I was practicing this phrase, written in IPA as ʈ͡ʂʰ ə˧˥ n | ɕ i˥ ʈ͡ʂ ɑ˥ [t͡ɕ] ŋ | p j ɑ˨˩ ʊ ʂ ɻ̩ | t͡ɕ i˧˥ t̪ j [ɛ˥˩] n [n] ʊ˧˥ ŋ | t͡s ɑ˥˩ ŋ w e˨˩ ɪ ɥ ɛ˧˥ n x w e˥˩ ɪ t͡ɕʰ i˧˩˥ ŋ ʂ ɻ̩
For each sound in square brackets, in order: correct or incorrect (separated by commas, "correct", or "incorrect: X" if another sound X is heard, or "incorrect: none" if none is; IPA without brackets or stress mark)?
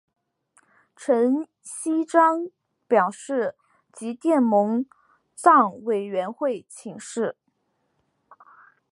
incorrect: none, correct, incorrect: m